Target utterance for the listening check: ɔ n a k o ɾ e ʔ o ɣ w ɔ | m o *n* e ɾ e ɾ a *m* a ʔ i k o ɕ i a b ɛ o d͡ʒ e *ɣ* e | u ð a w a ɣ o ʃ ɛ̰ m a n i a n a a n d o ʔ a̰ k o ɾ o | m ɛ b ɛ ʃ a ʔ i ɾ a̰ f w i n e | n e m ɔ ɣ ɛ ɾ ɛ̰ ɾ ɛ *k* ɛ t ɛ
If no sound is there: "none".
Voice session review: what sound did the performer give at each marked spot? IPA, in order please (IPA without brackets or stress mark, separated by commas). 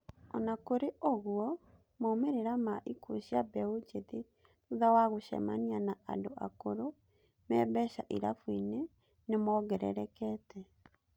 m, m, ð, k